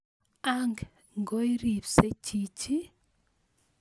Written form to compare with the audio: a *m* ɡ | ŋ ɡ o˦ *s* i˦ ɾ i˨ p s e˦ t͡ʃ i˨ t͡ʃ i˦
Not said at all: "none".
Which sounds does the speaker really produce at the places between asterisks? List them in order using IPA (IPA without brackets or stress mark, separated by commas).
ŋ, none